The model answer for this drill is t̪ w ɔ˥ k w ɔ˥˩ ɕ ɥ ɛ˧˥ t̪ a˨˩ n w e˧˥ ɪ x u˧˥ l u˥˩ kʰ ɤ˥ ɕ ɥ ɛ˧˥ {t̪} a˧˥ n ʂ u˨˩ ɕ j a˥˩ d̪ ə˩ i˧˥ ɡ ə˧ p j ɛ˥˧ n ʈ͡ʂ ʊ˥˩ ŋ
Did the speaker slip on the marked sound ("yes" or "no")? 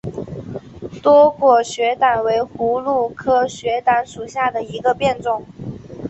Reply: no